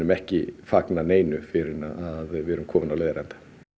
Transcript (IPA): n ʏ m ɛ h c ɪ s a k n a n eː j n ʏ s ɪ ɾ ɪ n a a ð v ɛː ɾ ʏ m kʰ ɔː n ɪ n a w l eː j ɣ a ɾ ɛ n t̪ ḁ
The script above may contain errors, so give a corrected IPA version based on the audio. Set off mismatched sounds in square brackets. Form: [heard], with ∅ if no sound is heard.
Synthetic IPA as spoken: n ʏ m ɛ h c ɪ [f] a k n a n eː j n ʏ [f] ɪ ɾ ɪ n a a ð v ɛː ɾ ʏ m kʰ ɔː [m] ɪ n a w l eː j [ð] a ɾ ɛ n t̪ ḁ